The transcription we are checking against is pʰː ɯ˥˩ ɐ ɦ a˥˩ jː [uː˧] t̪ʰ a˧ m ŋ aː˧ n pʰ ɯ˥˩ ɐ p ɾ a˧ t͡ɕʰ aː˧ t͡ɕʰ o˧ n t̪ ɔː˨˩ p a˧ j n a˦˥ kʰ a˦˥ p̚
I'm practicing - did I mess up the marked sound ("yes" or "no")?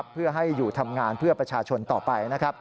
yes